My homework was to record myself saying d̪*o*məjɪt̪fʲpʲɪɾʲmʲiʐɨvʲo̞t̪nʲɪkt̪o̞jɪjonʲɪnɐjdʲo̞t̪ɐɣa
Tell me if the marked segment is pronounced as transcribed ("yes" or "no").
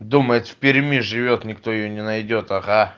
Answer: no